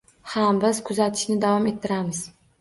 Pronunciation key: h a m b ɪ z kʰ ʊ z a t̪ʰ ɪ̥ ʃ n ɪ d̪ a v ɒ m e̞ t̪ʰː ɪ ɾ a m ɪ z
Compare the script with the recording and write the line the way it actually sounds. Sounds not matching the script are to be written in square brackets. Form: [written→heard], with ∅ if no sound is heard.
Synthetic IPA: h a m b ɪ z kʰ ʊ z a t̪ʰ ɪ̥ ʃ n ɪ d̪ a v ɒ m e̞ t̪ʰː ɪ ɾ a m ɪ z